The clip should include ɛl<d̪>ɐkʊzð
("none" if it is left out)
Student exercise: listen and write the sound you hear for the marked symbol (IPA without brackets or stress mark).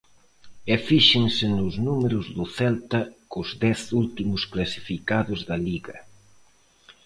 t̪